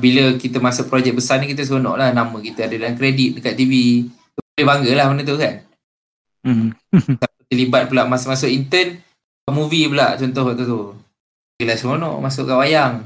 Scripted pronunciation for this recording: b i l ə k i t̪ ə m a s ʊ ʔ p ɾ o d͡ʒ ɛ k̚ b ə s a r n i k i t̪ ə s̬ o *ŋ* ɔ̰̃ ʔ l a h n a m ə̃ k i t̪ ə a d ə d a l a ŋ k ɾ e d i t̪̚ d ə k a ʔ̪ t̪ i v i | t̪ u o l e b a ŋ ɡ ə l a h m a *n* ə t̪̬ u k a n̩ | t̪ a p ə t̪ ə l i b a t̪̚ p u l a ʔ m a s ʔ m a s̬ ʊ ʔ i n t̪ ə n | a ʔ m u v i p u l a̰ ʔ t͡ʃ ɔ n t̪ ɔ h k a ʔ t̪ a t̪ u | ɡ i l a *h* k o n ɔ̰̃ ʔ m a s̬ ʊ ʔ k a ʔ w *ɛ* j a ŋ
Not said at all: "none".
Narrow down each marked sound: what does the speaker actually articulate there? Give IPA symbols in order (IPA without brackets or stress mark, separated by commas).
n, n, s, a